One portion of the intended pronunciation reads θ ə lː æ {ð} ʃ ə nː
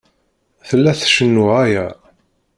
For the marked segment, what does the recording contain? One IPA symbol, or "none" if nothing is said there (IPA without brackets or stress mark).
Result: θ